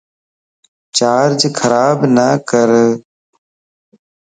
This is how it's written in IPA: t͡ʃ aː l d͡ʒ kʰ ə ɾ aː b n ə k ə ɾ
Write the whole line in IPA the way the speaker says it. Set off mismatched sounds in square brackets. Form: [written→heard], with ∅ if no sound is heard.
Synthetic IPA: t͡ʃ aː [l→ɾ] d͡ʒ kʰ ə ɾ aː b n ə k ə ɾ